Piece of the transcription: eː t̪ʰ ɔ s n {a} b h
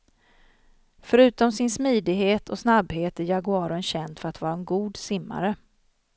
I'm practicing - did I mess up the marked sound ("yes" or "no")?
no